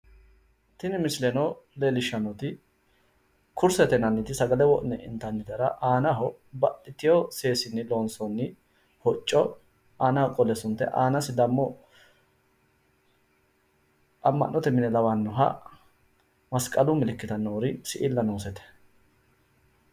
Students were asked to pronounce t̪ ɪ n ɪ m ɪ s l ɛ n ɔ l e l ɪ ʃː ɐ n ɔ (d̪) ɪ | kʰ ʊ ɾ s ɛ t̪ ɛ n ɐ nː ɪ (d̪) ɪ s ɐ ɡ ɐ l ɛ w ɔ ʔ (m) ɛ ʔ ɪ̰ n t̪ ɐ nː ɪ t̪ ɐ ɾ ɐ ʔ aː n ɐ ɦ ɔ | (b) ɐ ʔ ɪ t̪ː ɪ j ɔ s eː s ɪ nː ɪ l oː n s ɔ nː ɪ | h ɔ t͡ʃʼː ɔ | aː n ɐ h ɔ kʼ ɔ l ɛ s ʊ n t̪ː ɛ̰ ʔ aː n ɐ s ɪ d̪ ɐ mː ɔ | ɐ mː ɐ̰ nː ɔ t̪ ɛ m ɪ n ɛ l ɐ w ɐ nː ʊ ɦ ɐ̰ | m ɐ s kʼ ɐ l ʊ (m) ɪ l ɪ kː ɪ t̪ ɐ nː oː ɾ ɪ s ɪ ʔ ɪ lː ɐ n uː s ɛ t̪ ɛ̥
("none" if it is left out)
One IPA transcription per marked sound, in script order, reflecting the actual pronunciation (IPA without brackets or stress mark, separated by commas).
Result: t̪, t̪, n, b, m